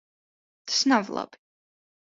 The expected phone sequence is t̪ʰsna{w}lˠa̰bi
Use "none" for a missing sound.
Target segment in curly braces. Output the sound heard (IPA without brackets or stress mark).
v